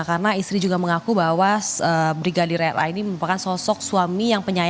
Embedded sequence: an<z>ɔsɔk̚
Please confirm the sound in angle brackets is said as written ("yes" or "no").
no